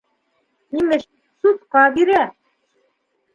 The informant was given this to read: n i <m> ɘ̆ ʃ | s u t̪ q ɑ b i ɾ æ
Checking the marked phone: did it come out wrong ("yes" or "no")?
no